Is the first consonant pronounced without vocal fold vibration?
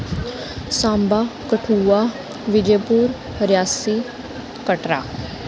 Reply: yes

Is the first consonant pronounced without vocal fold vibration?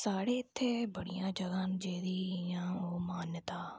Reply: yes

